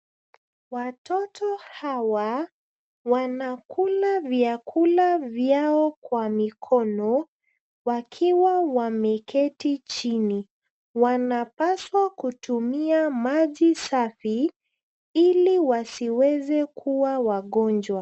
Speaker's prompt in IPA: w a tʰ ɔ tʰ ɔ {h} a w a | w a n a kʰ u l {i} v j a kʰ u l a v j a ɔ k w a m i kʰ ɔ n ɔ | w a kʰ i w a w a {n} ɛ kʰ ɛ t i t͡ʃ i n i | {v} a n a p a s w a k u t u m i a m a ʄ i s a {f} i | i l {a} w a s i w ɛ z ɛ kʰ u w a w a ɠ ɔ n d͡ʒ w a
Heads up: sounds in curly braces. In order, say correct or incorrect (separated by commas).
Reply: correct, incorrect, incorrect, incorrect, correct, incorrect